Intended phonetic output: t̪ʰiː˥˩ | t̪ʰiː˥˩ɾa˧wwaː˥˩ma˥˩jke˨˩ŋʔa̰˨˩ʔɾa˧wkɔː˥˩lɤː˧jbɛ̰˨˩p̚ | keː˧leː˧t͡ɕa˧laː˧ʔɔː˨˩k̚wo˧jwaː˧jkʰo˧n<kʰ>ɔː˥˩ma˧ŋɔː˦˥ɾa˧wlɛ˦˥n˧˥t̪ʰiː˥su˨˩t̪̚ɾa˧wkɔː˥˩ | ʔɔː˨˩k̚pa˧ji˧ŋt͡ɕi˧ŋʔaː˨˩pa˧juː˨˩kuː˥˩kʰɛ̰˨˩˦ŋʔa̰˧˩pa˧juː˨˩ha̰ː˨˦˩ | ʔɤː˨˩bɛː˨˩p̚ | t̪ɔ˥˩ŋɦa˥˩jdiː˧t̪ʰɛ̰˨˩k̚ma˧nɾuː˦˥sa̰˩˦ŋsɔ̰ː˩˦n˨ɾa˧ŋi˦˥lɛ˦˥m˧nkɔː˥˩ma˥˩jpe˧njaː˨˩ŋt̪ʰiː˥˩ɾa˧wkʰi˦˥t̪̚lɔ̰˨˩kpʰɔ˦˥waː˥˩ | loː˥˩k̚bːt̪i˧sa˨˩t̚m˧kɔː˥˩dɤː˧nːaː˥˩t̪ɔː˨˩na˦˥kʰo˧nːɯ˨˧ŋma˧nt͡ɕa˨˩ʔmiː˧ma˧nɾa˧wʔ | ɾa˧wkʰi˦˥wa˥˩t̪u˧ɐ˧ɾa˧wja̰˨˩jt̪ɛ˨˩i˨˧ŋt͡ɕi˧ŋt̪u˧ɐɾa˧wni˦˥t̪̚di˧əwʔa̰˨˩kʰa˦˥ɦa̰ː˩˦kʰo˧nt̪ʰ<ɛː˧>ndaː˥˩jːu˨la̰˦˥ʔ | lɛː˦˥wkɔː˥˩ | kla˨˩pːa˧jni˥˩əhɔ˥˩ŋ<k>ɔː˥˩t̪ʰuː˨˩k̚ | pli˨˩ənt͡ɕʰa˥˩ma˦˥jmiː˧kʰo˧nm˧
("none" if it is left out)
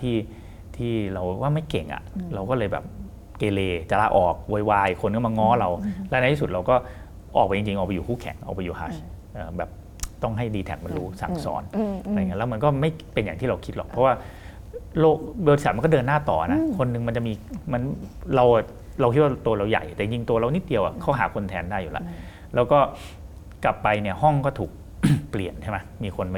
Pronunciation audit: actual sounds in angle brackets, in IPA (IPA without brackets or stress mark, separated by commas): k, ɛː˧, k